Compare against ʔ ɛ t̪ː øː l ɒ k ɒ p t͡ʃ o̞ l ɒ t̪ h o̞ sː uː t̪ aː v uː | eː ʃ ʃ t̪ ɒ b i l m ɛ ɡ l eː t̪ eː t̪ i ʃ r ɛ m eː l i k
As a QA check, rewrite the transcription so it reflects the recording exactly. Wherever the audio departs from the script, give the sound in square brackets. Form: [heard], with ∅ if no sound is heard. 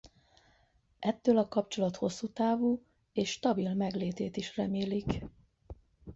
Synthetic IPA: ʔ ɛ t̪ː øː l ɒ k ɒ p t͡ʃ o̞ l ɒ t̪ h o̞ sː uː t̪ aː v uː | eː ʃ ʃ t̪ ɒ b i l m ɛ ɡ l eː t̪ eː t̪ i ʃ r ɛ m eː l i k